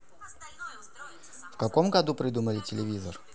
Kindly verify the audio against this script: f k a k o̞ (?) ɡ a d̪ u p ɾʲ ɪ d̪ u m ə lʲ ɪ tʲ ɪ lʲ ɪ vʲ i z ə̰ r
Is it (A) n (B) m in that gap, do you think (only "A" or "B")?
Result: B